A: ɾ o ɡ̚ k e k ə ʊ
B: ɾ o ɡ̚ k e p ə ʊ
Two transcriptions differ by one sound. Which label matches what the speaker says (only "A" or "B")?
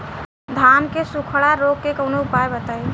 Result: A